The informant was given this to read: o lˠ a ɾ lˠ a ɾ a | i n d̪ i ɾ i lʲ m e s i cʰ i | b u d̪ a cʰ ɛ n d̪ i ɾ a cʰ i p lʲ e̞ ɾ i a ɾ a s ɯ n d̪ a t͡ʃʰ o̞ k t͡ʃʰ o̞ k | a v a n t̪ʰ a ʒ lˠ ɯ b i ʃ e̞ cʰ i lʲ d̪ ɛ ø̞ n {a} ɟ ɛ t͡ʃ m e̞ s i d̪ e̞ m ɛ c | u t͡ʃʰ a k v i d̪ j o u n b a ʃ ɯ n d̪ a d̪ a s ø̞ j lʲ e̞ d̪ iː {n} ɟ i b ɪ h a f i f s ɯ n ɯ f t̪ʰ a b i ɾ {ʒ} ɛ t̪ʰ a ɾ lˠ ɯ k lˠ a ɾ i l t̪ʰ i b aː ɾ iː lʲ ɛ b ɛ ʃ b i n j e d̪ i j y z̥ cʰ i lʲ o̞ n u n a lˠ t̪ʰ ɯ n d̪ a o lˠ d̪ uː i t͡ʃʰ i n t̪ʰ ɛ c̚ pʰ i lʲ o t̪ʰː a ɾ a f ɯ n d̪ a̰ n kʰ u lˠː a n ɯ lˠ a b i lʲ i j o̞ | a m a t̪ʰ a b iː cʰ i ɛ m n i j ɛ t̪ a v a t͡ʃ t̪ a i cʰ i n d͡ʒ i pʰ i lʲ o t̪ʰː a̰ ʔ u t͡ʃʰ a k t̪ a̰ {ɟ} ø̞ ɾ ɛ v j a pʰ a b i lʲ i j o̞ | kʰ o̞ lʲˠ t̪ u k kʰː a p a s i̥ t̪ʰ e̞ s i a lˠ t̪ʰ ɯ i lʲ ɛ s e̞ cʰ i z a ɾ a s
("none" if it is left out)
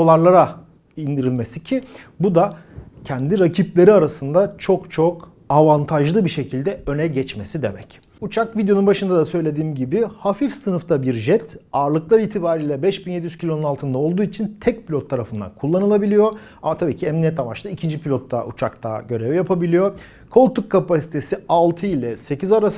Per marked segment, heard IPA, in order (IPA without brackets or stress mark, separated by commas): ɛ, m, ʒ, ɟ